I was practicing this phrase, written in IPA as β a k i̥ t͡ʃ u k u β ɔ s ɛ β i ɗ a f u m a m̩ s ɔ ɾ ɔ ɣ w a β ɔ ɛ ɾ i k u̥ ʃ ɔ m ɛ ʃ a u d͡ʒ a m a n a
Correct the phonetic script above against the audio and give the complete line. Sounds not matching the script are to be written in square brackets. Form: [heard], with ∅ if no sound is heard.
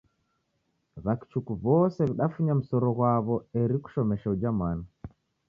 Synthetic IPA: β a k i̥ t͡ʃ u k u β ɔ s ɛ β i ɗ a f u [ɲ] a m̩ s ɔ ɾ ɔ ɣ w a β ɔ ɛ ɾ i k u̥ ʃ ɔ m ɛ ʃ a u d͡ʒ a m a n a